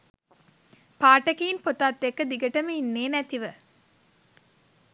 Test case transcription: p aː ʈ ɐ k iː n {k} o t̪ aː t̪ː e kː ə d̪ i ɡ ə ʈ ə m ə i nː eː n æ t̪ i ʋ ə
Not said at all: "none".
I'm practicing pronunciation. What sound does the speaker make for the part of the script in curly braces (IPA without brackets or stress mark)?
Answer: p